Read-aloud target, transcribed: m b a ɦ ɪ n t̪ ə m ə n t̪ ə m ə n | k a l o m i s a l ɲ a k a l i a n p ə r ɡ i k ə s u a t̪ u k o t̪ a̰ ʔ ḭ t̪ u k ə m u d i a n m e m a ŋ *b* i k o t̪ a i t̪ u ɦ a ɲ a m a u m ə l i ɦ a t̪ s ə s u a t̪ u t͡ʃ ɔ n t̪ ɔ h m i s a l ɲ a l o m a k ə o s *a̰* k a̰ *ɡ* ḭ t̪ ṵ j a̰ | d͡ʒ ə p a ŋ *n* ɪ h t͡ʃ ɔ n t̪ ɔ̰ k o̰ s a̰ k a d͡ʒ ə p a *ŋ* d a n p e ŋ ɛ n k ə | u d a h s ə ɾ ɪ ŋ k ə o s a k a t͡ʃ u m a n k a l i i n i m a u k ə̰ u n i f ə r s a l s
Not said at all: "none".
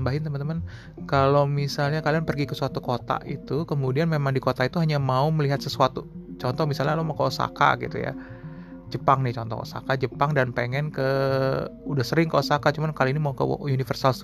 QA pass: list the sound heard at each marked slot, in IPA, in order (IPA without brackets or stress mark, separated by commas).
d, a̰, ɡ, n, ŋ